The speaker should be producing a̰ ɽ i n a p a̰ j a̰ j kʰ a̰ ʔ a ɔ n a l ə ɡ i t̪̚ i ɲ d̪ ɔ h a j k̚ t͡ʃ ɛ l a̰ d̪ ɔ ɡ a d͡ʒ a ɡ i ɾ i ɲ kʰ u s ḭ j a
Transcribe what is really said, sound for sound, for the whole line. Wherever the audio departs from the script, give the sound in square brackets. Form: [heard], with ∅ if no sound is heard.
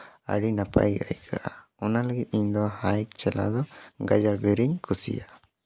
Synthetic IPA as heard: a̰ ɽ i n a p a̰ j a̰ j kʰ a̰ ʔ a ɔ n a l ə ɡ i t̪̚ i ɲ d̪ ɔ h a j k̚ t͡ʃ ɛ l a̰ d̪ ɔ ɡ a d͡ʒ a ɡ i ɾ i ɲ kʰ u s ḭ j a